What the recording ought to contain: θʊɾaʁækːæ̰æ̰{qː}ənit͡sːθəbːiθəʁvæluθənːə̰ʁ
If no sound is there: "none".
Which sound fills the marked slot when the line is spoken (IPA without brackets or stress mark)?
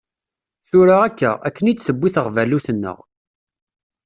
kː